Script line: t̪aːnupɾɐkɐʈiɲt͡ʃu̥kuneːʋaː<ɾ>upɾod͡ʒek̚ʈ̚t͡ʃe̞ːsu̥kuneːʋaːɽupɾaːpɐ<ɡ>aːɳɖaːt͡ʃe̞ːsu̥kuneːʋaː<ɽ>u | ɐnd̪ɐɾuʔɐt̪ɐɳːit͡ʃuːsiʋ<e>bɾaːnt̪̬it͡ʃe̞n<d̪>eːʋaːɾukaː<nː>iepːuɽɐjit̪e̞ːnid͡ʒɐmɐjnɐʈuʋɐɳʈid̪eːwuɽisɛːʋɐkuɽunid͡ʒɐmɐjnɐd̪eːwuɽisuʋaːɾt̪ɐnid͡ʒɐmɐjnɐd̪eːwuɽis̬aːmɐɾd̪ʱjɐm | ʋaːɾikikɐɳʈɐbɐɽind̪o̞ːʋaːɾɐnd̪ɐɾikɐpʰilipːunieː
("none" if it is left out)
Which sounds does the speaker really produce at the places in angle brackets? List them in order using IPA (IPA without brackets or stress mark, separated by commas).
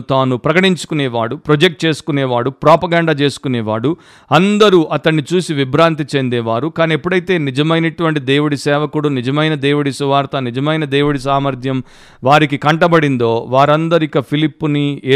ɽ, ɡ, ɽ, i, d̪, n